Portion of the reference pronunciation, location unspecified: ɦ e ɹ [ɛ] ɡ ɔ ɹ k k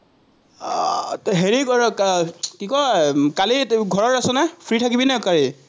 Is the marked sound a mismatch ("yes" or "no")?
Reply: yes